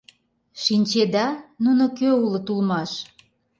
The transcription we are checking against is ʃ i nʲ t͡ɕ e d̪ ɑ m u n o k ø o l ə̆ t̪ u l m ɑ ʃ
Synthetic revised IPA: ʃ i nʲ t͡ɕ e d̪ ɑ n u n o k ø u l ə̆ t̪ u l m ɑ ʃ